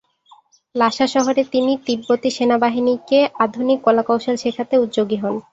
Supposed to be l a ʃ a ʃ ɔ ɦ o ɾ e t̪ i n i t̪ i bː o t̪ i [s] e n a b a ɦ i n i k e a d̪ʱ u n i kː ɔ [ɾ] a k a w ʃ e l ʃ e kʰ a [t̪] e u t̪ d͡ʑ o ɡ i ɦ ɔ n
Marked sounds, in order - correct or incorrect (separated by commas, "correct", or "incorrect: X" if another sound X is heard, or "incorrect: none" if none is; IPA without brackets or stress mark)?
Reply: incorrect: ʃ, incorrect: l, correct